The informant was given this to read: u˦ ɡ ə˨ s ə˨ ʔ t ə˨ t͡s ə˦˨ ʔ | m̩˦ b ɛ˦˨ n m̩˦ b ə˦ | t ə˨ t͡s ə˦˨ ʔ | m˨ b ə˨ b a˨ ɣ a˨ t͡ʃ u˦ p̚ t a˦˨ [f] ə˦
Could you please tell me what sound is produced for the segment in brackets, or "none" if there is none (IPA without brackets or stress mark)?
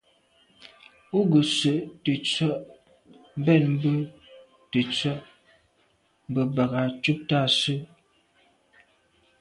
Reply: s